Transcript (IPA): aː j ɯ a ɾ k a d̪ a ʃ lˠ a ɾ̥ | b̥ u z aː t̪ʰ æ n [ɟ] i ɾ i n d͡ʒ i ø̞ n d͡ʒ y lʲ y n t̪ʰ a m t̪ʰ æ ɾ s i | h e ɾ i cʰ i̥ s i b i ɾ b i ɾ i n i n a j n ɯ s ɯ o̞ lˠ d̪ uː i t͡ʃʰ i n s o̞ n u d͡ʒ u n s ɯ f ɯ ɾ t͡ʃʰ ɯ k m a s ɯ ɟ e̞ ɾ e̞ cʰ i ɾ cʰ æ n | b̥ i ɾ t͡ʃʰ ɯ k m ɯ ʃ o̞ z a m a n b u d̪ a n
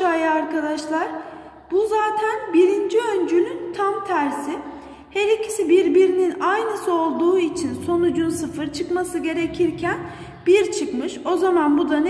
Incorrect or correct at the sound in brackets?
incorrect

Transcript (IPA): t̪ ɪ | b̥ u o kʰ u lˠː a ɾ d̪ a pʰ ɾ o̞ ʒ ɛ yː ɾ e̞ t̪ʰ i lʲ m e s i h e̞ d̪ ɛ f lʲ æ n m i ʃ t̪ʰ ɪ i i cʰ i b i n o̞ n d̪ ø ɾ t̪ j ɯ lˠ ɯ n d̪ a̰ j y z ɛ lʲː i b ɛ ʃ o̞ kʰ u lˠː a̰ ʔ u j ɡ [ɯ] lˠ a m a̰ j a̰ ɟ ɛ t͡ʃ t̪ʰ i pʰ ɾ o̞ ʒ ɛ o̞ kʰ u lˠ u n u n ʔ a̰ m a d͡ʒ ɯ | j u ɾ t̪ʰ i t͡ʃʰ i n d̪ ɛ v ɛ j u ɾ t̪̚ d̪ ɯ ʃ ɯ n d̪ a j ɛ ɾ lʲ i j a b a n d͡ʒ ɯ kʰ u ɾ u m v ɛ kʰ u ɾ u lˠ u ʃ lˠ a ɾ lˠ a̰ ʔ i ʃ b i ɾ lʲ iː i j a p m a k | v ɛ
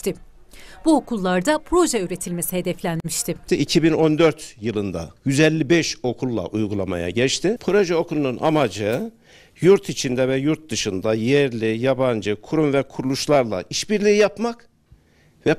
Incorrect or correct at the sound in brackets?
incorrect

